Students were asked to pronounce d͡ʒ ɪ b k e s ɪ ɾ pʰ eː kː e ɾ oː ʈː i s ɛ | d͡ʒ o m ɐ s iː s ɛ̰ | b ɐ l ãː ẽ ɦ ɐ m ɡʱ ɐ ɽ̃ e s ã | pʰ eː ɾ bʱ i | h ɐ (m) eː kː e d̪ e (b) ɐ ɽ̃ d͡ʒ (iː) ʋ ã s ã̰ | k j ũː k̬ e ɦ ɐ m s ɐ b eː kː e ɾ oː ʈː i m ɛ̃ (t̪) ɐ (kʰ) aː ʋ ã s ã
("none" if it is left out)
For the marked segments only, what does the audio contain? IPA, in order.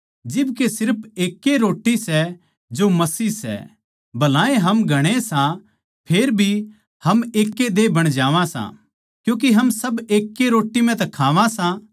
m, b, aː, t̪, kʰ

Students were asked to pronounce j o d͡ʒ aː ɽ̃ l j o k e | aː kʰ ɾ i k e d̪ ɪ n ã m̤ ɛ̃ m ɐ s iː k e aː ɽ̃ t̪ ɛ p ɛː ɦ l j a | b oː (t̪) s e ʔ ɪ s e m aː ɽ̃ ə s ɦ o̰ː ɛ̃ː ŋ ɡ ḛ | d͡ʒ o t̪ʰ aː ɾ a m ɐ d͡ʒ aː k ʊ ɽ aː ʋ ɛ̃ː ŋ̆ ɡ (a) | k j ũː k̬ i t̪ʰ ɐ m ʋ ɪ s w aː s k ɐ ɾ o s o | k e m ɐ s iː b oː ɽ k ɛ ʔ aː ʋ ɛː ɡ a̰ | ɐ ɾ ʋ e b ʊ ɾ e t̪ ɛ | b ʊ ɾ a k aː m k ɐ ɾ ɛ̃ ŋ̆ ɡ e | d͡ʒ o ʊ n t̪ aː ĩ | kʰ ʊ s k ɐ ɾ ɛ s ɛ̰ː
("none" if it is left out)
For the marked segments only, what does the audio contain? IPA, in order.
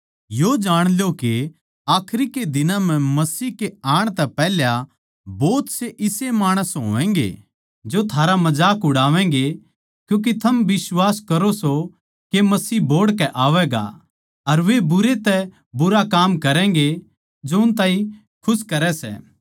t̪, e

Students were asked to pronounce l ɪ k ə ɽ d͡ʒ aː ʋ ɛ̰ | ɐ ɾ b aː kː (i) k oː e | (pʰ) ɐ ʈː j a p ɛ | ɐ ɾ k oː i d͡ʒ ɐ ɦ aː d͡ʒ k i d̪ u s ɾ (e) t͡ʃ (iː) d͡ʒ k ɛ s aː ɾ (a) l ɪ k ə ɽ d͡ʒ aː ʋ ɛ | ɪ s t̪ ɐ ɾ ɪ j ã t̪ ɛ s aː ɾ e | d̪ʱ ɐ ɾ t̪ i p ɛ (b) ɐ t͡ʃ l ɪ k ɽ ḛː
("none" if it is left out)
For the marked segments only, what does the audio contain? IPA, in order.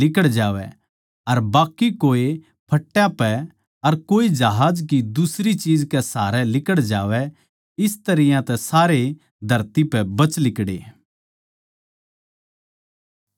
i, pʰ, i, iː, ɛ, b

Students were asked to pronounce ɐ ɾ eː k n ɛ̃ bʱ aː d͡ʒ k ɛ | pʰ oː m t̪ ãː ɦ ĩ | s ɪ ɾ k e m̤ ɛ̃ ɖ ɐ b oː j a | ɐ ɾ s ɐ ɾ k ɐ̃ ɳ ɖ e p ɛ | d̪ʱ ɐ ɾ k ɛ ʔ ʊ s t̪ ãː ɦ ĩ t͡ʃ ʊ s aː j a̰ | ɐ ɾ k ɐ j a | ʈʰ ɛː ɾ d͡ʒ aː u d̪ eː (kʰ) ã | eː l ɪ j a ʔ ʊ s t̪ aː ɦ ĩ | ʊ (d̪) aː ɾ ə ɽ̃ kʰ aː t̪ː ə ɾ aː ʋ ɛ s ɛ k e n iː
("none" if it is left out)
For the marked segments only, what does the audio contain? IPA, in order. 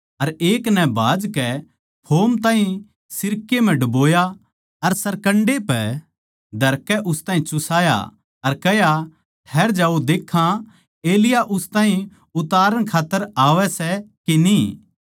kʰ, t̪

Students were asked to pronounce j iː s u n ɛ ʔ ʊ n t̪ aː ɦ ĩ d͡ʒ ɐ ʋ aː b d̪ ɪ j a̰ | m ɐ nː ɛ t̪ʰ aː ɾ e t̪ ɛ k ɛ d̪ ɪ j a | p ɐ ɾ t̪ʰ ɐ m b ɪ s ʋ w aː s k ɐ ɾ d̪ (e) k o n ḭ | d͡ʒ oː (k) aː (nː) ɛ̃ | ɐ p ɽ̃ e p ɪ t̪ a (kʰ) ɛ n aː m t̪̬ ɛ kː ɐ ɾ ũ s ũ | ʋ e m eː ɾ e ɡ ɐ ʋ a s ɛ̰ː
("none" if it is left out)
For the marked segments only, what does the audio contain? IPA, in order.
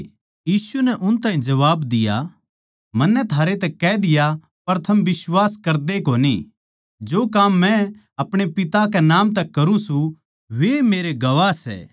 e, k, mː, k

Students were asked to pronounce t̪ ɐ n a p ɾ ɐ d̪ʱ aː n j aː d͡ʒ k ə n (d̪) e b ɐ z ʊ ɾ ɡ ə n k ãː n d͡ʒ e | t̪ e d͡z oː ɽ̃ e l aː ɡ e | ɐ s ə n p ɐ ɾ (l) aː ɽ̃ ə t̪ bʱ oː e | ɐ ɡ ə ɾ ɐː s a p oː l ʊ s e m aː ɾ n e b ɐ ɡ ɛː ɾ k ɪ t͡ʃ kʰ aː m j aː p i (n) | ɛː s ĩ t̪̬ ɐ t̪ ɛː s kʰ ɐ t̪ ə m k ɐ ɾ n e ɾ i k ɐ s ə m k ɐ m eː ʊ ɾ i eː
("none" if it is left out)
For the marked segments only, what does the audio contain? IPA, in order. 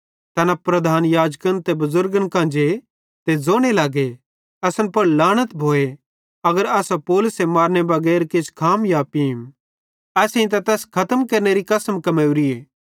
t̪, l, m

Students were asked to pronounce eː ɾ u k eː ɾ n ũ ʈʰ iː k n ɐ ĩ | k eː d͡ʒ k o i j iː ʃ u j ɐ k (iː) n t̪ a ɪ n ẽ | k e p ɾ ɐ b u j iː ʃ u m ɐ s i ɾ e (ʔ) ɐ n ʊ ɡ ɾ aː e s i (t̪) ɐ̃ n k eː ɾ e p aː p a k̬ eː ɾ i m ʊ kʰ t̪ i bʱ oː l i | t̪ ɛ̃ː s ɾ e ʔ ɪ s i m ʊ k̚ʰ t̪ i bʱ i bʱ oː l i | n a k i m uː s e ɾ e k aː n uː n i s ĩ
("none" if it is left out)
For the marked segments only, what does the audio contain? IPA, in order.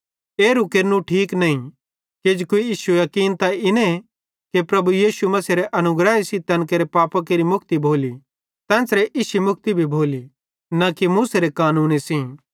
iː, ʔ, t̪

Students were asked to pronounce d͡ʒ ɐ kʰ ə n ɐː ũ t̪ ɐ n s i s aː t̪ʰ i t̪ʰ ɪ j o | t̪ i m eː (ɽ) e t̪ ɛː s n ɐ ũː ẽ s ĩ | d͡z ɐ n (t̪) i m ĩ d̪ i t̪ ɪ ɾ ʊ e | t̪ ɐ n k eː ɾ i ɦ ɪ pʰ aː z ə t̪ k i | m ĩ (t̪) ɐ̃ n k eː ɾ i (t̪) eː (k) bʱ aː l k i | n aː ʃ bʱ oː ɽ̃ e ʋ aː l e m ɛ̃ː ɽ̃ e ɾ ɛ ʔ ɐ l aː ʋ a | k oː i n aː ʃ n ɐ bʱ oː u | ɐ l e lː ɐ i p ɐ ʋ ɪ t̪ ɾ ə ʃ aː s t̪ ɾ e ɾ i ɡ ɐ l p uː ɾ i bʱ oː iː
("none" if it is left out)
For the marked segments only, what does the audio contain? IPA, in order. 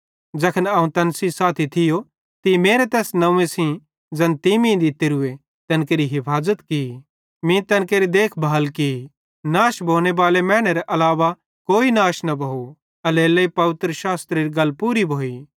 ɾ, t̪, t̪, d̪, kʰ

